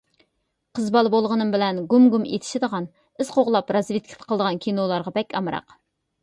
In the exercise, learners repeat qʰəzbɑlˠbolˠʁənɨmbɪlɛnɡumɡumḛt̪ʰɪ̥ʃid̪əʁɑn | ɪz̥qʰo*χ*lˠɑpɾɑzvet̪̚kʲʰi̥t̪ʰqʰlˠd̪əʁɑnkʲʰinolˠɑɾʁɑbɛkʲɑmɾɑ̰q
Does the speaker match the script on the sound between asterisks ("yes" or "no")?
no